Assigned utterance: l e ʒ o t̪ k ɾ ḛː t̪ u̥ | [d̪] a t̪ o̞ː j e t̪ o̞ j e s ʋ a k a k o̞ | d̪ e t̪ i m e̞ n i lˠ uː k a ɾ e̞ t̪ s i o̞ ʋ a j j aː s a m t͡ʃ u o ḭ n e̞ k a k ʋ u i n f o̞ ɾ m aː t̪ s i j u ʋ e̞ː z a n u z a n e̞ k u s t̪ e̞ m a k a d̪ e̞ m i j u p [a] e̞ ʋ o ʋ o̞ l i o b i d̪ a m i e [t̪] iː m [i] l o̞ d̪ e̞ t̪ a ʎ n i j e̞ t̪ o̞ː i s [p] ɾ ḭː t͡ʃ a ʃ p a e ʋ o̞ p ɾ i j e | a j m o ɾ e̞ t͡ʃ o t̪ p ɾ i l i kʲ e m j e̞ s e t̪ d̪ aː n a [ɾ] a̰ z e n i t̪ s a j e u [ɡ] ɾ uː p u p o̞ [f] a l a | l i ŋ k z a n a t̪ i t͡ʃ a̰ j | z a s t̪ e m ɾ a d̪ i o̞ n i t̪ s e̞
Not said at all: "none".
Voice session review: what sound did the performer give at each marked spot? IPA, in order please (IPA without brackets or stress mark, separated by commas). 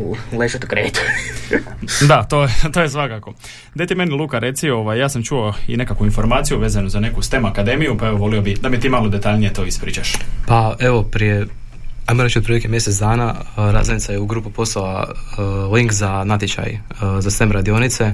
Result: d̪, a, t̪, a, p, ɾ, ɡ, s